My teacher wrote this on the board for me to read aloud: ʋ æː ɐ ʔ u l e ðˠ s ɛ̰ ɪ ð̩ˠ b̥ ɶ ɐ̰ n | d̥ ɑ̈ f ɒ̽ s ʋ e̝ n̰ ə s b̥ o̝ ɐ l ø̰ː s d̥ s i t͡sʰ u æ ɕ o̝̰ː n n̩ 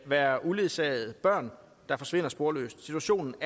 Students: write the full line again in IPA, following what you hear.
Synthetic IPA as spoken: ʋ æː ɐ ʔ u l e ðˠ s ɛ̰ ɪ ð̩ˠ b̥ ɶ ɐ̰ n | d̥ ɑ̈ f ɒ̽ s ʋ e̝ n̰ ɐ s b̥ o̝ ɐ l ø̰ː s d̥ s i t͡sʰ u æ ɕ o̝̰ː n n̩